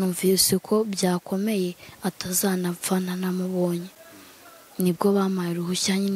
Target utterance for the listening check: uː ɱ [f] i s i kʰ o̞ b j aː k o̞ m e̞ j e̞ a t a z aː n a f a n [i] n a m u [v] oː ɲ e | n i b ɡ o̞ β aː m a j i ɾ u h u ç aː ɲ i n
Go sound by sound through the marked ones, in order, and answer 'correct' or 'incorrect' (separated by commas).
incorrect, incorrect, incorrect